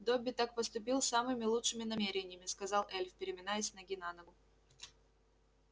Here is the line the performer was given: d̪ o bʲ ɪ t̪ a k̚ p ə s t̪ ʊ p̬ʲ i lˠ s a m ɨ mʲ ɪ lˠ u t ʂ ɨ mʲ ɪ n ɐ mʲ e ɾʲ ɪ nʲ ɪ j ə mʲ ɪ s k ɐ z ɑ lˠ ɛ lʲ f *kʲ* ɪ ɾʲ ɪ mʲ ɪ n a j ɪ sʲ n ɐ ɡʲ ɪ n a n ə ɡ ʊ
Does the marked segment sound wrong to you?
yes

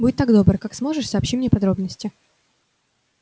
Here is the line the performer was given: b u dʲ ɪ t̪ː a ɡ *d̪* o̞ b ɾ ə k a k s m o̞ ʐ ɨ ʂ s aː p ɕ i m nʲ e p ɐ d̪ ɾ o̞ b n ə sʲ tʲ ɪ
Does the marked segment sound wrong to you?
no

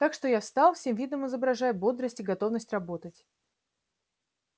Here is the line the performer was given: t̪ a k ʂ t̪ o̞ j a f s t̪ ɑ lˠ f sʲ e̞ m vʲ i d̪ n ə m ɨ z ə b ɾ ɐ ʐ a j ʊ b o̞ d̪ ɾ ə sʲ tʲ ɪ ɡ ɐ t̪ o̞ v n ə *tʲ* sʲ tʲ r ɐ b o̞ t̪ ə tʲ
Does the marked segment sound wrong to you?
yes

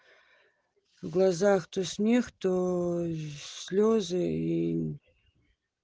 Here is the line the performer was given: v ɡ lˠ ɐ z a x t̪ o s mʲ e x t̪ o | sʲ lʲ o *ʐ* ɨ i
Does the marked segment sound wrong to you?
yes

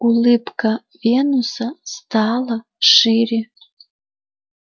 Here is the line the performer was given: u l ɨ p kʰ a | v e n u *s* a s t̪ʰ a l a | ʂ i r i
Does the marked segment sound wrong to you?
no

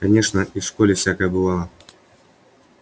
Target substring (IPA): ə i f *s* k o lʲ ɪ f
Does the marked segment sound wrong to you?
yes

